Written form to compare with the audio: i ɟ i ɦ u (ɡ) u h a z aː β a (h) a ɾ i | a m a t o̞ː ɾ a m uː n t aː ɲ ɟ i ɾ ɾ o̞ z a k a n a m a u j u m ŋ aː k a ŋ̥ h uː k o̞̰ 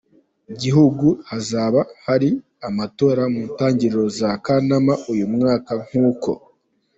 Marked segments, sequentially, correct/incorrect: correct, correct

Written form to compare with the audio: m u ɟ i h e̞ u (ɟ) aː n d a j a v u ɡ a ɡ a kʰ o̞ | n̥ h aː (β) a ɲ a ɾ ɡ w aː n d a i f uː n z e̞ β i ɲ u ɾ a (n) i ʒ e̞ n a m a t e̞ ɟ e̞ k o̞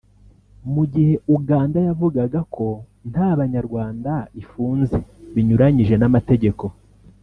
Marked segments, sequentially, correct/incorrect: incorrect, correct, incorrect

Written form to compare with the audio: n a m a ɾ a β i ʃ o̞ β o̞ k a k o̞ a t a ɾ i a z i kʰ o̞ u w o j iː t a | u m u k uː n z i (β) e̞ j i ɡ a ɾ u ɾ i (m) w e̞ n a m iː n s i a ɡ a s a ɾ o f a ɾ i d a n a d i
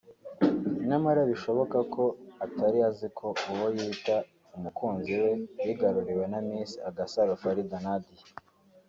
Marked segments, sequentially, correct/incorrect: incorrect, incorrect

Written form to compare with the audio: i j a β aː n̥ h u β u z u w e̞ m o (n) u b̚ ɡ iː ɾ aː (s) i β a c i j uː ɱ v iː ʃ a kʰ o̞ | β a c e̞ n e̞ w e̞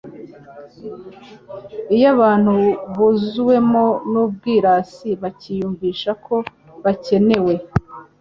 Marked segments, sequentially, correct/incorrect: correct, correct

